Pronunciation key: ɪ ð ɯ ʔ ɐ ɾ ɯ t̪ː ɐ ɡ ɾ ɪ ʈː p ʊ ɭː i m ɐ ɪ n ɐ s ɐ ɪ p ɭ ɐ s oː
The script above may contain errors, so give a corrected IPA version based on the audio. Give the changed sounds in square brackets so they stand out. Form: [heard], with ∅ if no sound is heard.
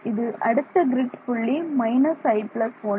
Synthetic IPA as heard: ɪ ð ɯ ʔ ɐ [ɽ] ɯ t̪ː ɐ ɡ ɾ ɪ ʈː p ʊ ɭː i m ɐ ɪ n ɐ s ɐ ɪ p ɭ ɐ s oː